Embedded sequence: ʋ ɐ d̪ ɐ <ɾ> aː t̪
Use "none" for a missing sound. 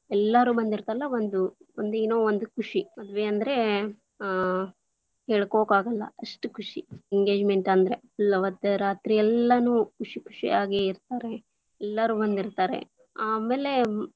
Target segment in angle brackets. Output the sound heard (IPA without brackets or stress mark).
ɾ